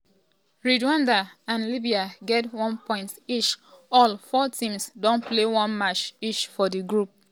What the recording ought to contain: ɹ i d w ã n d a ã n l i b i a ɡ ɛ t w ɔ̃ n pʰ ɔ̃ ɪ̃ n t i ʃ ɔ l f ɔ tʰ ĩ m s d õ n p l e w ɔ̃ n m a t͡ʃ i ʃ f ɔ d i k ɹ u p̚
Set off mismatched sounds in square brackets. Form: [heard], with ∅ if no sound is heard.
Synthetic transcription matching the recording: ɹ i d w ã n d a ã n l i b i a ɡ ɛ t w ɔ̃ n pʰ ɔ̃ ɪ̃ n t i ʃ ɔ l f ɔ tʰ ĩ m s d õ n p l e w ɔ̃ n m a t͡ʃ i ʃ f ɔ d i [ɡ] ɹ u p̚